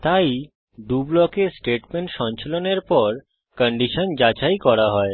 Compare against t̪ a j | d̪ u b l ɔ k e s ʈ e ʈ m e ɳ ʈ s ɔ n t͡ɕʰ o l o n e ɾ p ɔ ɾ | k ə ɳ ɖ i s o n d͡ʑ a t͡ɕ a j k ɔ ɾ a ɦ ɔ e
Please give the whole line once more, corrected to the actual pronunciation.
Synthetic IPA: t̪ a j | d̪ u b l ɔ k e s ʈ e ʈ m e ɳ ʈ ʃ ɔ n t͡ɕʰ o l o n e ɾ p ɔ ɾ | k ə ɳ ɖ i ʃ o n d͡ʑ a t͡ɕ a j k ɔ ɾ a ɦ ɔ e